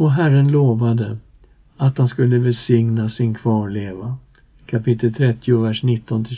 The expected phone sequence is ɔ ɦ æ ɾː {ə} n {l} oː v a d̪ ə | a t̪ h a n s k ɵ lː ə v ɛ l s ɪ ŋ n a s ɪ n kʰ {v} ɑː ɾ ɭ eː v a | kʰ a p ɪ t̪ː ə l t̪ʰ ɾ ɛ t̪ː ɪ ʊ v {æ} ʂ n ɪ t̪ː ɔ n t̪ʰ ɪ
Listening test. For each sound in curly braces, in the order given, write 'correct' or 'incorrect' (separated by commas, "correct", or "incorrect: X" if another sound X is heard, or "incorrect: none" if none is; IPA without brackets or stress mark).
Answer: correct, correct, correct, correct